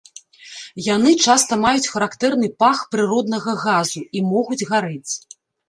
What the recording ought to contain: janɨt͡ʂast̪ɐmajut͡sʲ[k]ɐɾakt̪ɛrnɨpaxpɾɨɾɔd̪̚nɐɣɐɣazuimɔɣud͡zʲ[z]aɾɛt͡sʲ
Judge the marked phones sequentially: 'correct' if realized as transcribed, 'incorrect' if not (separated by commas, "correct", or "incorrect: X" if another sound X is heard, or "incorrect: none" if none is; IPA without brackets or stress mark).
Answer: incorrect: x, incorrect: ɣ